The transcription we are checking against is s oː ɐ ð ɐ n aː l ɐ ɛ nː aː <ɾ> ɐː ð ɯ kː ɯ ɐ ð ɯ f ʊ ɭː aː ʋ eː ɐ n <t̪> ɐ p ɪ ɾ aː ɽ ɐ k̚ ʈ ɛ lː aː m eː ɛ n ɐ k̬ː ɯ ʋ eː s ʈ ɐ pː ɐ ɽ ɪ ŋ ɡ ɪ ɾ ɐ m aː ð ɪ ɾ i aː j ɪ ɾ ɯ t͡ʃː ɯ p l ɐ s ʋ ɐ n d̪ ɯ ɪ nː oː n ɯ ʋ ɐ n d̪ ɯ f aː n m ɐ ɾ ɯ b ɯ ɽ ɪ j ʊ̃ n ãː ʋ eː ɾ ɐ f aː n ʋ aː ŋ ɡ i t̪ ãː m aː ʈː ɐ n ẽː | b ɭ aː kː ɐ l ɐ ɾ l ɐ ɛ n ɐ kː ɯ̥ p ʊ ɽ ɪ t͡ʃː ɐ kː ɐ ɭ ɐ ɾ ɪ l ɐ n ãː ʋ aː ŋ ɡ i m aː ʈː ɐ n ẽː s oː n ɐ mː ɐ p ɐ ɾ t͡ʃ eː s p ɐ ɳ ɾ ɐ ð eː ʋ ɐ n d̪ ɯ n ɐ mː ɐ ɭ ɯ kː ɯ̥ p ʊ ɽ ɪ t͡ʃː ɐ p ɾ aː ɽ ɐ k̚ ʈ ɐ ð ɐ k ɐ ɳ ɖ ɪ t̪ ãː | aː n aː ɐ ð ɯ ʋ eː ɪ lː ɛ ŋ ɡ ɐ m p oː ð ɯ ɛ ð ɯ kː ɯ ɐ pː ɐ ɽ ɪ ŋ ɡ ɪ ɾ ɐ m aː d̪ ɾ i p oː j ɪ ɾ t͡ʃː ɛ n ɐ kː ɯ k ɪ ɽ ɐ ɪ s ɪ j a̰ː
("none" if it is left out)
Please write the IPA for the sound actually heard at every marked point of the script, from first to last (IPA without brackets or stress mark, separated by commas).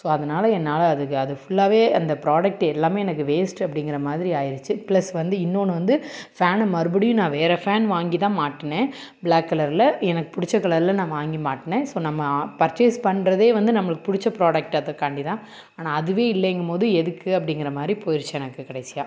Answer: l, d̪